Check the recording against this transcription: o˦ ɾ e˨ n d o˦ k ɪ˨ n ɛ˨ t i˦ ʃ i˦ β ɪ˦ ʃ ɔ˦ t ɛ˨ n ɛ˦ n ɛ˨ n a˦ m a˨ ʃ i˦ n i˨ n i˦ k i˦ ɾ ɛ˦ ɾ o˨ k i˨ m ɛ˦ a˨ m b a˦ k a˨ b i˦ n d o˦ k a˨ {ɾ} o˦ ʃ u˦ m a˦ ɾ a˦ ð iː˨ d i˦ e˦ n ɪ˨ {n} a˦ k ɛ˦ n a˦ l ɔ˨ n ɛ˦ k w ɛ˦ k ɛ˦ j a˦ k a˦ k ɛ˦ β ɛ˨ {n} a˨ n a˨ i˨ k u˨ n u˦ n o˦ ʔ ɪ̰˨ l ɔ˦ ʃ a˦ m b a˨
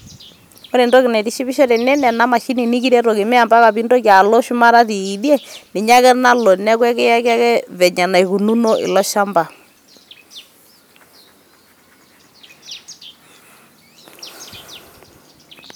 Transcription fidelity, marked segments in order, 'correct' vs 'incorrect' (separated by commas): incorrect, incorrect, incorrect